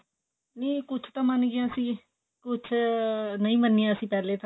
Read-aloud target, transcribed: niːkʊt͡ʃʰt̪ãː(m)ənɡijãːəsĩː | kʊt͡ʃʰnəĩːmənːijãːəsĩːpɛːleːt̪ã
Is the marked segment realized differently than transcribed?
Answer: no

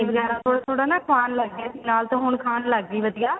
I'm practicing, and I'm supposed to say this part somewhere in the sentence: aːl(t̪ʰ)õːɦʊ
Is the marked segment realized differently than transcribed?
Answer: yes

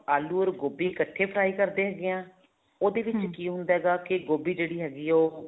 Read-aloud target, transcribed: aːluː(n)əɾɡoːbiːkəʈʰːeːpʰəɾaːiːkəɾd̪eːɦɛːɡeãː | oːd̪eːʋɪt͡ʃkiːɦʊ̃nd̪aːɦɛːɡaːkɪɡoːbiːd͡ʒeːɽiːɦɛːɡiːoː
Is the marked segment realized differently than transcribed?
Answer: yes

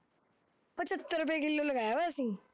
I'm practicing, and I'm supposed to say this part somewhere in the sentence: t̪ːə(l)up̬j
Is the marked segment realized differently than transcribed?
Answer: yes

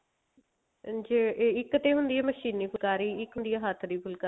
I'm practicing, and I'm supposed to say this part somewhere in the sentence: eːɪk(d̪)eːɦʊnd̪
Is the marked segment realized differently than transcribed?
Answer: yes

